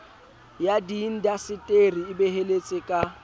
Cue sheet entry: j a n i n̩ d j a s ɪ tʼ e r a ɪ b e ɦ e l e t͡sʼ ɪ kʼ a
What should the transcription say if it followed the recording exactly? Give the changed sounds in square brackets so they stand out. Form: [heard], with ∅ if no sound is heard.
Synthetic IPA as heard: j a [d] i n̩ d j a s ɪ tʼ e r [i] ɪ b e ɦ e l e t͡sʼ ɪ kʼ a